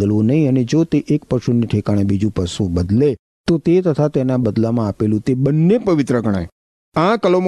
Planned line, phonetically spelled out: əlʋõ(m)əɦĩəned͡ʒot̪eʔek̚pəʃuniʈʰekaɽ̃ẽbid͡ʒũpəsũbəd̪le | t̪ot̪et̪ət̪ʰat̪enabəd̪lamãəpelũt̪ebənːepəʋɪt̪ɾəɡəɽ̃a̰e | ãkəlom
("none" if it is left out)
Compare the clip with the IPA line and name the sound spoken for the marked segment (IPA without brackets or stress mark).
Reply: n